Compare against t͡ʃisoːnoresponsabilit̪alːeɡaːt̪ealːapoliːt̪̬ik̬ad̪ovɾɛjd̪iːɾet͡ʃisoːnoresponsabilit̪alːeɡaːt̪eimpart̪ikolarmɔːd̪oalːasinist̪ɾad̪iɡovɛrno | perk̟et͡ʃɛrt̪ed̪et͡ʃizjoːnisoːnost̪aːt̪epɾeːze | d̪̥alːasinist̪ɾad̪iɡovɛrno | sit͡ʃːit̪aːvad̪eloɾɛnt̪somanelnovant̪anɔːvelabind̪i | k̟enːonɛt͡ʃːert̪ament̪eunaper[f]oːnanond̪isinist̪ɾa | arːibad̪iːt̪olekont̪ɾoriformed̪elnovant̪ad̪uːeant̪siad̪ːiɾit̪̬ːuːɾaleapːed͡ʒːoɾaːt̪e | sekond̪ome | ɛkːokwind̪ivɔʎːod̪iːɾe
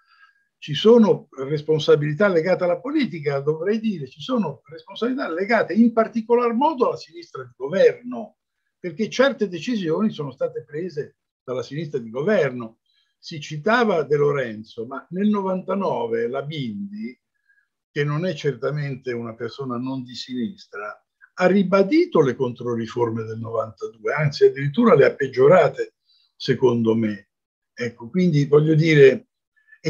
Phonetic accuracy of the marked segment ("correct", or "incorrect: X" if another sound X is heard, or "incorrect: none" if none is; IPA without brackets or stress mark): incorrect: s